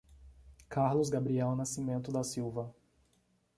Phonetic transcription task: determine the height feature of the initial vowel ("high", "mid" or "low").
low